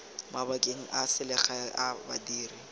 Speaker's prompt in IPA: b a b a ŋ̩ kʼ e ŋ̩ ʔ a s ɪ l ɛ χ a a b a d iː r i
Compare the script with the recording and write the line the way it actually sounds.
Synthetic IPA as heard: m a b a kʼ e ŋ̩ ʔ a s ɪ l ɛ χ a a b a d iː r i